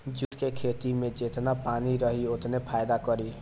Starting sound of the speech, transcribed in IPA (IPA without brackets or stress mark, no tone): d͡ʒ